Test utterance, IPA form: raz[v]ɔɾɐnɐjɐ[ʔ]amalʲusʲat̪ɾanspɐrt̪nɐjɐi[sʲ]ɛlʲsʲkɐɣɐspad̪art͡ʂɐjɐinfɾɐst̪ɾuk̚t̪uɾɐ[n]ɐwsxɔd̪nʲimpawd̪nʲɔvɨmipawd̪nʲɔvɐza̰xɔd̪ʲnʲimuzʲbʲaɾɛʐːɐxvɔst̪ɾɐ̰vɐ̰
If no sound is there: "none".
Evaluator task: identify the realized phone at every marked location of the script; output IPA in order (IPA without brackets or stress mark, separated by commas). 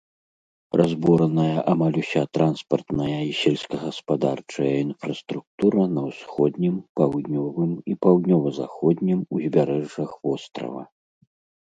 b, ʔ, sʲ, n